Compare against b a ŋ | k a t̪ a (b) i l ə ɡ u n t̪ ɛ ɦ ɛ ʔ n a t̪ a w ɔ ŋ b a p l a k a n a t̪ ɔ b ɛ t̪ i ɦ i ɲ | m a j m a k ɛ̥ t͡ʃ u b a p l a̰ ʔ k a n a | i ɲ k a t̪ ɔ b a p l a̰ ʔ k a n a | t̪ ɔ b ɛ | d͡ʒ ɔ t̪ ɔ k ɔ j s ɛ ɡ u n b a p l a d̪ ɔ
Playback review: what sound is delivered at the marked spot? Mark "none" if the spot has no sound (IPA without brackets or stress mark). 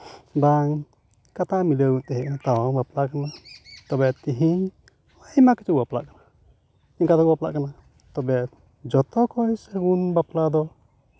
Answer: m